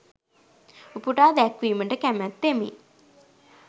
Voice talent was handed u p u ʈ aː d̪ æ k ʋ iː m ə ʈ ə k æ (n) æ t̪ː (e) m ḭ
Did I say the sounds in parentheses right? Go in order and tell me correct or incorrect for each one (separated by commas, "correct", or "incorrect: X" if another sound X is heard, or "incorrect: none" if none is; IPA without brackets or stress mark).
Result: incorrect: m, correct